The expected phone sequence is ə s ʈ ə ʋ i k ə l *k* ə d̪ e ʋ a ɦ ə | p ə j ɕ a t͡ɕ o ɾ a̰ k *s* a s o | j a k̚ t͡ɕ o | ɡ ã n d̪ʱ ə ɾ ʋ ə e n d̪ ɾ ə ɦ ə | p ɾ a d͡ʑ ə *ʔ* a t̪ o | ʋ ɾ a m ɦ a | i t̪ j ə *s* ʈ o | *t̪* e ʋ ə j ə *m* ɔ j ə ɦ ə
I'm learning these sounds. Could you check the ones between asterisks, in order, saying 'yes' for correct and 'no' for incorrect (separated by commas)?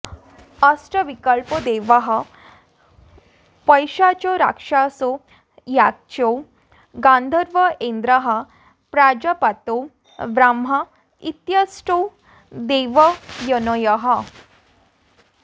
no, no, no, yes, no, no